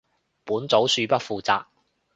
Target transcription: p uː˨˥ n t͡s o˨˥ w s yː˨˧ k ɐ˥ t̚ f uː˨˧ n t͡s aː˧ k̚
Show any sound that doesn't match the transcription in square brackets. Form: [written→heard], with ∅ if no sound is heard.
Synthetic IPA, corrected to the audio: p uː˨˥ n t͡s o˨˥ w s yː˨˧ [k→p] ɐ˥ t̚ f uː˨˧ [n→∅] t͡s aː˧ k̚